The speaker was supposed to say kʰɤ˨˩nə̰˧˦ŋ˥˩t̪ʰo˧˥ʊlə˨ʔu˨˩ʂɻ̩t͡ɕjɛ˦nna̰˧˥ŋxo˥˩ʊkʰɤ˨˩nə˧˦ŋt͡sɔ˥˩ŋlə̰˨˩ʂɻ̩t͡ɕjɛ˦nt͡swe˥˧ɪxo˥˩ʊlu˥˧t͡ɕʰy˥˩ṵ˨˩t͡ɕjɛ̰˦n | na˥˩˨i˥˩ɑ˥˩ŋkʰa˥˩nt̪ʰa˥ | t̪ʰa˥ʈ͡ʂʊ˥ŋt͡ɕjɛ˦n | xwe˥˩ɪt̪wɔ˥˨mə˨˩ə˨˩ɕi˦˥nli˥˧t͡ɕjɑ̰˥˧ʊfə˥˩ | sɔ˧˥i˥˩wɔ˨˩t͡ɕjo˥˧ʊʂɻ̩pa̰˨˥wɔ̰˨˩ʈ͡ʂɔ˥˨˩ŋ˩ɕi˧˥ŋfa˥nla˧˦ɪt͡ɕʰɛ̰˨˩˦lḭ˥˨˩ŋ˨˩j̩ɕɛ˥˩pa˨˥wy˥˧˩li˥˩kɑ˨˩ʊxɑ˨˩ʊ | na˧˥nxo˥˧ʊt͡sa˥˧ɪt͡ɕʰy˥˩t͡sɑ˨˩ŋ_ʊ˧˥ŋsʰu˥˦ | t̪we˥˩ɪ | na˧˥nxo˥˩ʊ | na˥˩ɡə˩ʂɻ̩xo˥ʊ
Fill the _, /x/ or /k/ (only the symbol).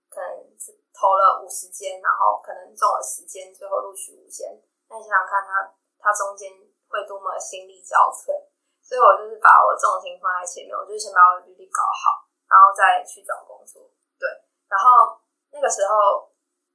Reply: k